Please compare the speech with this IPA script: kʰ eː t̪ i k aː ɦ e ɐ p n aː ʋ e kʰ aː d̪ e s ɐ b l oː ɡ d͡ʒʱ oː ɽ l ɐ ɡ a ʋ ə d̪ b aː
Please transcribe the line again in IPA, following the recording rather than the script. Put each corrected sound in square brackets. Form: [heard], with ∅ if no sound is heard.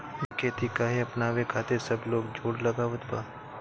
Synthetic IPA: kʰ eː t̪ i k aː ɦ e ɐ p n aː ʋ e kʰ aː [t̪] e s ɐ b l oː ɡ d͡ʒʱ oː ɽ l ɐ ɡ a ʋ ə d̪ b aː